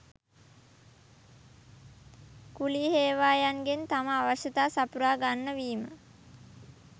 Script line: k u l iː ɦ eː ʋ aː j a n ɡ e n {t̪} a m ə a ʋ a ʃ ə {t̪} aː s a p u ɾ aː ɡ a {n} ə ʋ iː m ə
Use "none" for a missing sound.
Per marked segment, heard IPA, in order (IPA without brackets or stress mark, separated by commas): t̪, t̪, nː